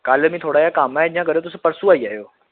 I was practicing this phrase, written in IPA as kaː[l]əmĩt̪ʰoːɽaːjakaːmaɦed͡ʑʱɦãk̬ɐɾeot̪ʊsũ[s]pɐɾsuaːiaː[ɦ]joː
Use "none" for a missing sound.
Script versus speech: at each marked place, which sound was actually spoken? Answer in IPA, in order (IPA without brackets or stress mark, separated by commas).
l, none, ɦ